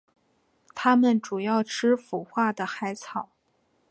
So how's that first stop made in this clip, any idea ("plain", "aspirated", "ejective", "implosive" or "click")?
aspirated